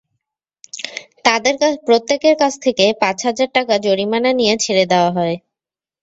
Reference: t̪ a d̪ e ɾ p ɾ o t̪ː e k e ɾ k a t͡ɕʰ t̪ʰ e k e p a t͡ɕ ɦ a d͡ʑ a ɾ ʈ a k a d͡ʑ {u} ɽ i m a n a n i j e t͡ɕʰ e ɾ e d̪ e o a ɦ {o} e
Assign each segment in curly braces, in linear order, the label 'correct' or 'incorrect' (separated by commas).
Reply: incorrect, incorrect